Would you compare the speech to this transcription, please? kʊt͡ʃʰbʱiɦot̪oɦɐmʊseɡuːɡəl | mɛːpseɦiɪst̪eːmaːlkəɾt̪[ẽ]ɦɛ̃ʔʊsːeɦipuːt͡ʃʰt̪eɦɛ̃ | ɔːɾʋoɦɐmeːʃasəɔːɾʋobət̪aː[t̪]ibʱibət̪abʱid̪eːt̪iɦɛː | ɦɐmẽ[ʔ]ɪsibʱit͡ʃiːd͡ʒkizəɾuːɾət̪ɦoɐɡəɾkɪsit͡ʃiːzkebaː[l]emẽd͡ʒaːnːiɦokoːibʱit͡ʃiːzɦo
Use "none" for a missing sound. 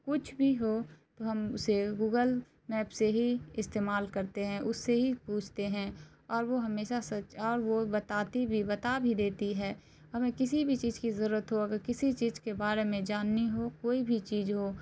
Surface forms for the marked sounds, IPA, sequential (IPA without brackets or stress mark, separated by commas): e, t̪, k, ɾ